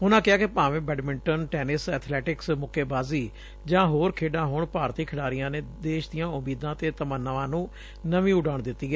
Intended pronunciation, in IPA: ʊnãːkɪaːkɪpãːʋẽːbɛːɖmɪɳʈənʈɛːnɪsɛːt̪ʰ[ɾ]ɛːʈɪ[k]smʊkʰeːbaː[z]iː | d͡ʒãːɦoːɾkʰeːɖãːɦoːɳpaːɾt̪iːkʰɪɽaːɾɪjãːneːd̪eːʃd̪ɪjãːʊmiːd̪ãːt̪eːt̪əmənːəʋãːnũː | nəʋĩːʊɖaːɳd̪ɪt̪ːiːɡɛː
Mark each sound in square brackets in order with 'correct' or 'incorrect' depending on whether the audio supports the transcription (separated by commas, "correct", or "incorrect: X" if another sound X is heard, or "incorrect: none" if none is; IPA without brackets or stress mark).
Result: incorrect: l, correct, correct